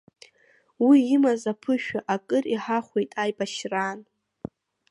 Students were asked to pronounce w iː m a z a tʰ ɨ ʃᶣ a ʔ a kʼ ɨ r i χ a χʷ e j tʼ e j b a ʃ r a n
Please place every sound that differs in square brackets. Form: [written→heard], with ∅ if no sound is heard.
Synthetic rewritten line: w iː m a z a [tʰ→pʰ] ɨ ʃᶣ a ʔ a kʼ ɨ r i [χ→ħ] a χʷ e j tʼ [e→a] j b a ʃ r a n